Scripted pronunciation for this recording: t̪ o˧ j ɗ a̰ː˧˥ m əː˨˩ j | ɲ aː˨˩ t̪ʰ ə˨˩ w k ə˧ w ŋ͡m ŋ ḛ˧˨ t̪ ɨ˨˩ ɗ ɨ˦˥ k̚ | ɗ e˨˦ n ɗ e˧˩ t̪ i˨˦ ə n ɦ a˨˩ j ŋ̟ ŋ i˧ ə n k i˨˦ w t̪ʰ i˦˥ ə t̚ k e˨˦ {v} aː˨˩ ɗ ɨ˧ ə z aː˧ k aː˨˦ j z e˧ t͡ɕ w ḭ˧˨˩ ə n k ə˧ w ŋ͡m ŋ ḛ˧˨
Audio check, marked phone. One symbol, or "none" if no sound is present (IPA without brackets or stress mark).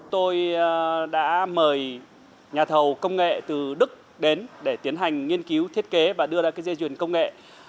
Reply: v